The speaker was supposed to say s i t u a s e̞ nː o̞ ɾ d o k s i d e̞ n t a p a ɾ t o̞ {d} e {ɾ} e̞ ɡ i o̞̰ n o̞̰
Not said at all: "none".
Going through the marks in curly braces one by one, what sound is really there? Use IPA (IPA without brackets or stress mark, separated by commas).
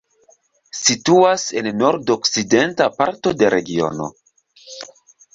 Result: d, ɾ